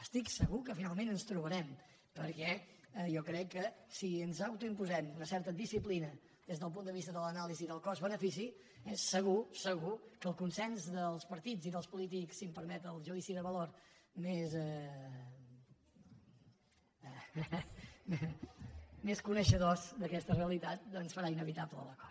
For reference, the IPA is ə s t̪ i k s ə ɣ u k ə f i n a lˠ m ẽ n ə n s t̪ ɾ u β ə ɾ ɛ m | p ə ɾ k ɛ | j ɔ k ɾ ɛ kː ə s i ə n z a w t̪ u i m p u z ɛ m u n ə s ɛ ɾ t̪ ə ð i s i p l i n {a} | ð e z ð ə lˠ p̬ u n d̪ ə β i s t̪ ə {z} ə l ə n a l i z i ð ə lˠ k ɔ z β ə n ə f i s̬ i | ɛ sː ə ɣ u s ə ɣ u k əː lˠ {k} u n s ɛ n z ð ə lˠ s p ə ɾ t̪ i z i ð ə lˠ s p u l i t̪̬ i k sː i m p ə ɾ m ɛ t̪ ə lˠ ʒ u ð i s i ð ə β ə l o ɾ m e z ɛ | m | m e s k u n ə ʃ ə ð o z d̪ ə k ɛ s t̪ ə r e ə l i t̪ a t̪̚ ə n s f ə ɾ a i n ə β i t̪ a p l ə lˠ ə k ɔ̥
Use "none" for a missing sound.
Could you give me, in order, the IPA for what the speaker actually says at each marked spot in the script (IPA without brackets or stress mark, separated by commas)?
ə, ð, k